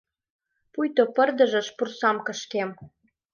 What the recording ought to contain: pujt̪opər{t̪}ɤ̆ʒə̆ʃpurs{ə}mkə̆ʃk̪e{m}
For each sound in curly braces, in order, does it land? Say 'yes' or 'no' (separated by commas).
no, no, yes